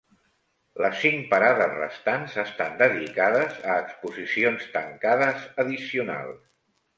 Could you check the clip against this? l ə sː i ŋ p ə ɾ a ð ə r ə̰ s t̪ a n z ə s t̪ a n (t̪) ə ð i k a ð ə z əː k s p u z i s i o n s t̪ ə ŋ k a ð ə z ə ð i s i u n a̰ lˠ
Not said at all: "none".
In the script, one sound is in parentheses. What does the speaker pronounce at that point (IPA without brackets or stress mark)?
d̪